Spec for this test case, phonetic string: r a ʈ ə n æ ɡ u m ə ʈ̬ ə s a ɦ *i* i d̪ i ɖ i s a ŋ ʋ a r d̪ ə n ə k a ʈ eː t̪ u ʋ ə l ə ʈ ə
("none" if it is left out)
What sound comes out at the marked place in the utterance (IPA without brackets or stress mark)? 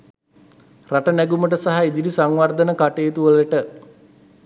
a